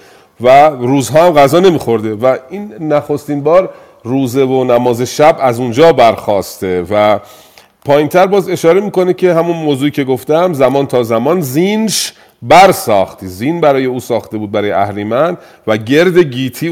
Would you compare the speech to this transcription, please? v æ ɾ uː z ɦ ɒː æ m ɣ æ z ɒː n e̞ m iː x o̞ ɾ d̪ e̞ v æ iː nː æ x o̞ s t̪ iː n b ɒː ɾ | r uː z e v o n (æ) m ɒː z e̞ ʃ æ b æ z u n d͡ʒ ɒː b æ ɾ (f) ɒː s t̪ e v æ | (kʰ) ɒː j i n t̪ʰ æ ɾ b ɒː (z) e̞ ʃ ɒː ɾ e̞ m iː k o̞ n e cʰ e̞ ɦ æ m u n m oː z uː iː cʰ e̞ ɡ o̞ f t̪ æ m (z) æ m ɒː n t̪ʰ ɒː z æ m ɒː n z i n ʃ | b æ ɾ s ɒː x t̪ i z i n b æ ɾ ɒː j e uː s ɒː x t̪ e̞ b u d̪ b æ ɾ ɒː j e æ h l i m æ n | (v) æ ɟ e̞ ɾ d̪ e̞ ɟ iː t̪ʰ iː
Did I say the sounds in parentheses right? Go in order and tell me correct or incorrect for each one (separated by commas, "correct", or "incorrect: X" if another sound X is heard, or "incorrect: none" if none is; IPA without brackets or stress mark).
correct, incorrect: x, incorrect: pʰ, correct, correct, correct